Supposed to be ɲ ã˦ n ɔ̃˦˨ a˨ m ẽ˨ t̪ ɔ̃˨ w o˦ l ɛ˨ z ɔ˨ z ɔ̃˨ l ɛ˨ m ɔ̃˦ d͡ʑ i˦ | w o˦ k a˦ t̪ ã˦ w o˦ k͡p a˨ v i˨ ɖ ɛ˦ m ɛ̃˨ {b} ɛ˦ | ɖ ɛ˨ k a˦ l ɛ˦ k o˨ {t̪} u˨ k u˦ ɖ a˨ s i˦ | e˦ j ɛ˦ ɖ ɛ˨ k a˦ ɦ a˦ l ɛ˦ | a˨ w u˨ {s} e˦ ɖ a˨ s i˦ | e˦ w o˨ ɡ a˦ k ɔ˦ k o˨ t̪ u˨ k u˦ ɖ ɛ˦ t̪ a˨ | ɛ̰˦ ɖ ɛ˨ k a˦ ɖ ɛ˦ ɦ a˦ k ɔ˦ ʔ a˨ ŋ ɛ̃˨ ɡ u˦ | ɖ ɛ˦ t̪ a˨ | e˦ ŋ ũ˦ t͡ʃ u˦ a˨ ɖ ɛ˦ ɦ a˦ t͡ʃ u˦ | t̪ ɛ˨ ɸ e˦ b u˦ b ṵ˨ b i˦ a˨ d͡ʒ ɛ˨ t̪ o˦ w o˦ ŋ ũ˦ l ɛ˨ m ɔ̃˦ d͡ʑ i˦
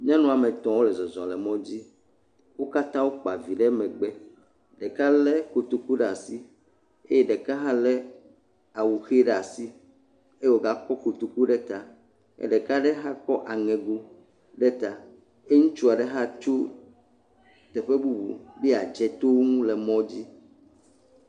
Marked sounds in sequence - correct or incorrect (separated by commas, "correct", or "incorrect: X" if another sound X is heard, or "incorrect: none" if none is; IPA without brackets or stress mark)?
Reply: incorrect: ɡ͡b, correct, incorrect: x